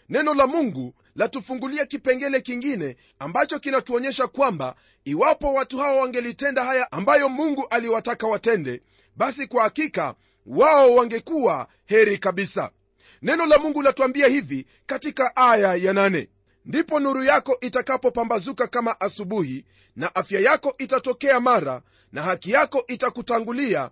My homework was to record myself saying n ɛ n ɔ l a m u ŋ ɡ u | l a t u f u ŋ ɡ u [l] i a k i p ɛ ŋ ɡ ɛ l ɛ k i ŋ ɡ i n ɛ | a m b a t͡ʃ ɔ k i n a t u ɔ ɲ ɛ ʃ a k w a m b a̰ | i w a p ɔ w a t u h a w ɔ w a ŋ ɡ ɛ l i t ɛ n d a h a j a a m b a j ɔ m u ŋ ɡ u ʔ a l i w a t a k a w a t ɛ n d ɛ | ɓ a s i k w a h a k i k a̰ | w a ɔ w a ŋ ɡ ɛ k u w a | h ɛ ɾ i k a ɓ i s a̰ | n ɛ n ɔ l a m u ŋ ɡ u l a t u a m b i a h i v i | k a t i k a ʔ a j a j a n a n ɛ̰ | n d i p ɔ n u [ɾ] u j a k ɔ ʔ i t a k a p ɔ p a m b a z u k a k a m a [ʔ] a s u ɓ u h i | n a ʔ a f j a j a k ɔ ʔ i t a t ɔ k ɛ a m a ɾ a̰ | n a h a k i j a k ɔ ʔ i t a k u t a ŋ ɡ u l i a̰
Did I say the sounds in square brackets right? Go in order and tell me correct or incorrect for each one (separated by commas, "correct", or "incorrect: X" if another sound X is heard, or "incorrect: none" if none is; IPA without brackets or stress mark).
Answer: correct, correct, correct